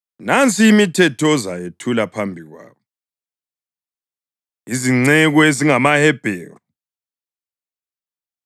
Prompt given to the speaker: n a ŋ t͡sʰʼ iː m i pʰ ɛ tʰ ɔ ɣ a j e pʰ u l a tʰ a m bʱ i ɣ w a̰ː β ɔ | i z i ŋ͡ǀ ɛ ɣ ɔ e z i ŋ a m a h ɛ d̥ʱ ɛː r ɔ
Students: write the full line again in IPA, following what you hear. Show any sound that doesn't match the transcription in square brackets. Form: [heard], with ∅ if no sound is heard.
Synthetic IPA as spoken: n a [n] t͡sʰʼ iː m i [tʰ] ɛ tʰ ɔ [z] a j e [tʰ] u l a [pʰ] a m bʱ i ɣ w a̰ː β ɔ | i z i ŋ͡ǀ ɛ ɣ ɔ e z i ŋ a m a h ɛ [b̥ʱ] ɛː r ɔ